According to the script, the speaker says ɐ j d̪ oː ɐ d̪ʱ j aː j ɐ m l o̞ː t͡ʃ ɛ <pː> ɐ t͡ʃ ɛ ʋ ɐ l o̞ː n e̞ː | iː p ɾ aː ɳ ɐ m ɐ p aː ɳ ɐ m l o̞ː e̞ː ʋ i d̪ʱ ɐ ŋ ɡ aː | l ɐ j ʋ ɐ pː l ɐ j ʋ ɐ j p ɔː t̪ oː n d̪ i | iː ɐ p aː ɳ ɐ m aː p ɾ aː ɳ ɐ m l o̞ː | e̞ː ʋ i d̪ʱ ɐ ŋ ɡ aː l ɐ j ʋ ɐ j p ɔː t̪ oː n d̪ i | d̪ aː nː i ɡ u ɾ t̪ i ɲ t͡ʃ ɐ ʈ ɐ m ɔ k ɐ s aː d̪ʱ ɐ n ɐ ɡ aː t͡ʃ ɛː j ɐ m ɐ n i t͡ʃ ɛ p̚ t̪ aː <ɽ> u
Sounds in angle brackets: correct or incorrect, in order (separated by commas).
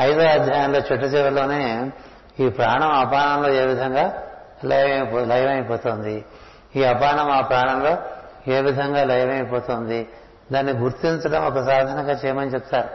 incorrect, incorrect